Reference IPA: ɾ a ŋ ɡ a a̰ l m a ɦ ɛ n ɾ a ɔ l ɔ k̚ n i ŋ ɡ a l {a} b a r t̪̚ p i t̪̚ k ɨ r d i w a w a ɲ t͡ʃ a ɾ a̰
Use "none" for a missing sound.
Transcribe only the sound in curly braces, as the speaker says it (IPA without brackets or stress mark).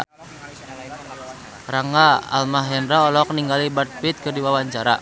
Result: i